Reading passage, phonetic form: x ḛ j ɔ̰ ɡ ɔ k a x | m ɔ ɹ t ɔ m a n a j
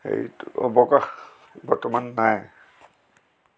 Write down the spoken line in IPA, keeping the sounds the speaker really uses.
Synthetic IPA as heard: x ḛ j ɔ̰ b ɔ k a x | b ɔ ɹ t ɔ m a nː a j